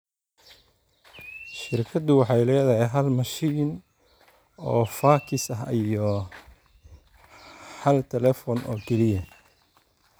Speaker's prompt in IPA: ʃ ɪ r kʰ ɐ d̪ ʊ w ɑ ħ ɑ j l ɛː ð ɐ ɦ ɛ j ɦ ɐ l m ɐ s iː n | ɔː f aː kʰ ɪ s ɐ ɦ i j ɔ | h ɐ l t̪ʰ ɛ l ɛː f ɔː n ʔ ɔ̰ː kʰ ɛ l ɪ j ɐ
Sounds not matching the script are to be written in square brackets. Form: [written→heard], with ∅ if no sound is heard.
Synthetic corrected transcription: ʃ ɪ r kʰ ɐ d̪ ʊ w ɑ ħ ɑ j l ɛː ð ɐ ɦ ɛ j ɦ ɐ l m ɐ [s→ʃ] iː n | ɔː f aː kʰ ɪ s ɐ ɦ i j ɔ | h ɐ l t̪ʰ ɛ l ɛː f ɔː n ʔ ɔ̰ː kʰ ɛ l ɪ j ɐ